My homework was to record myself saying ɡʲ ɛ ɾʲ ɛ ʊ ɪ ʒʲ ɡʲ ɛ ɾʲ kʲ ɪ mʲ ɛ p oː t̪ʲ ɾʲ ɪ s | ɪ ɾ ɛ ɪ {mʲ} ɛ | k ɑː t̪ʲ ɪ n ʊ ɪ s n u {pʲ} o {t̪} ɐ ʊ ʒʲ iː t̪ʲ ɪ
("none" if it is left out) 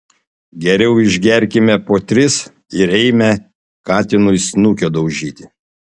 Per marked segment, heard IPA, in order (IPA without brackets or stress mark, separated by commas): mʲ, kʲ, d̪